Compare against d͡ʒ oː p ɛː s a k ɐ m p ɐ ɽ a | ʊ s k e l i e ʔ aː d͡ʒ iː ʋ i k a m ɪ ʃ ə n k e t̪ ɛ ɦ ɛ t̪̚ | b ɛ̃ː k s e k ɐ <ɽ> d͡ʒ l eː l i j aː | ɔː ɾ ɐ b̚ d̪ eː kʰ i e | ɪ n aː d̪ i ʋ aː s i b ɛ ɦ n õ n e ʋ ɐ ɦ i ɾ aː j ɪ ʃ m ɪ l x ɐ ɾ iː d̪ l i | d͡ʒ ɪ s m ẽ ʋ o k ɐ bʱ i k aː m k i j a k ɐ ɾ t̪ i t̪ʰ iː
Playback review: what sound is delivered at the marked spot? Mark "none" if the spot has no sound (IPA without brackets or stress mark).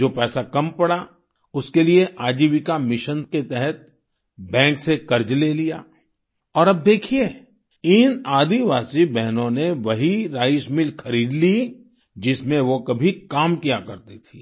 ɾ